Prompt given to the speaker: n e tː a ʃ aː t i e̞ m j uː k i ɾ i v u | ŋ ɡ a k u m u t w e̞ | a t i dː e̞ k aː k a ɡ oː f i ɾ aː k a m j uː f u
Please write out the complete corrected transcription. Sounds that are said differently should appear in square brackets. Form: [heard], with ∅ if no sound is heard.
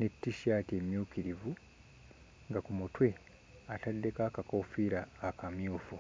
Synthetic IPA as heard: n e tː [i] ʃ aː t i e̞ m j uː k i ɾ i v u | ŋ ɡ a k u m u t w e̞ | a t [a] dː e̞ k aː k a [k] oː f i ɾ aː k a m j uː f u